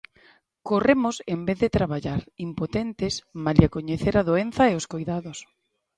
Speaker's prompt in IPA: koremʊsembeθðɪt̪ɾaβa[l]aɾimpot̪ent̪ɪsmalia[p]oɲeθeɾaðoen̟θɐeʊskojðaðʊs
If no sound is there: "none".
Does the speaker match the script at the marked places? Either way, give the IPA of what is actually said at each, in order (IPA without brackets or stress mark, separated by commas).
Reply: ʎ, k